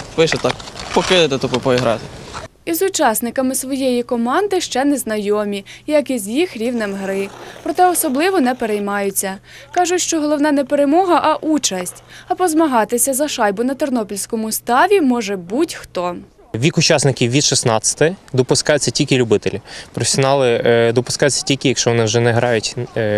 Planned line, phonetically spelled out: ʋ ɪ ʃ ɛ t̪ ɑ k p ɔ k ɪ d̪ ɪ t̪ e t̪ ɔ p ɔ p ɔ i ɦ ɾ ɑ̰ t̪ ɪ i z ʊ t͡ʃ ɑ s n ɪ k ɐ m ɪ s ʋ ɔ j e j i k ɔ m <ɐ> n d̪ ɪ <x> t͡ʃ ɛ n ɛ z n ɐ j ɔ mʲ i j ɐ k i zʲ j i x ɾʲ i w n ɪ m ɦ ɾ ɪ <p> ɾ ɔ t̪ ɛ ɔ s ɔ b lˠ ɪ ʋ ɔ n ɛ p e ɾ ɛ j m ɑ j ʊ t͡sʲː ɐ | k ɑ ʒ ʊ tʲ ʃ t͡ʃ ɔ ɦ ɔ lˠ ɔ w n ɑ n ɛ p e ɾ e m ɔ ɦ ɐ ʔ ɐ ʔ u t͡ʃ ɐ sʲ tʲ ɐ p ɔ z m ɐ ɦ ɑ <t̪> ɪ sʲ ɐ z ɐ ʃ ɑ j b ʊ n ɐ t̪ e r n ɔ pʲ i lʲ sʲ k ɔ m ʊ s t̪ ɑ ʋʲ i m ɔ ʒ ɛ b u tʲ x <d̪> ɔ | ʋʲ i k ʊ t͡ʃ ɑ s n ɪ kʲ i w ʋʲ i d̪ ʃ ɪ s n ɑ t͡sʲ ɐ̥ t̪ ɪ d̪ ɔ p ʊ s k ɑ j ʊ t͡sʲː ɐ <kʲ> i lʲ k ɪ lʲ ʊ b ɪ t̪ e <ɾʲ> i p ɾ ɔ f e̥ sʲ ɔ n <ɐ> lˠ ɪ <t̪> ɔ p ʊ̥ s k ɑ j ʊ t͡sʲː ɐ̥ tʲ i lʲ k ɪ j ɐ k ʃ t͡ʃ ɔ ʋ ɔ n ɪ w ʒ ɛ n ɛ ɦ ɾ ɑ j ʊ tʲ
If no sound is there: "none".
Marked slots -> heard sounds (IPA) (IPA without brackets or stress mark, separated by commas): ɑ, ʃ, p, t̪, t̪, tʲ, lʲ, ɑ, d̪